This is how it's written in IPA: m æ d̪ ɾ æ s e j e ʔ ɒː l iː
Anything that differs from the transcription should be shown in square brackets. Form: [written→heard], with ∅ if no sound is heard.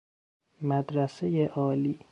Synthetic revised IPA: m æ d̪ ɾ æ s e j e ʔ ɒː l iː